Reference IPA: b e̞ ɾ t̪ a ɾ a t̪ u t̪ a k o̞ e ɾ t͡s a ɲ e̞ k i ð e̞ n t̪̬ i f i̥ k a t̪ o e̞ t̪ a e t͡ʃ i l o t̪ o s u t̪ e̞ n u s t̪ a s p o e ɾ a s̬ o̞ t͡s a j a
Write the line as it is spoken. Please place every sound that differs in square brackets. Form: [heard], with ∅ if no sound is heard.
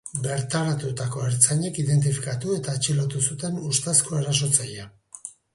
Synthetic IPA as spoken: b e̞ ɾ t̪ a ɾ a t̪ u t̪ a k o̞ e ɾ t͡s a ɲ e̞ k i ð e̞ n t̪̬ i f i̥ k a t̪ [u] e̞ t̪ a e t͡ʃ i l o t̪ [u] s u t̪ e̞ n u s t̪ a s [k] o e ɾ a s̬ o̞ t͡s a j a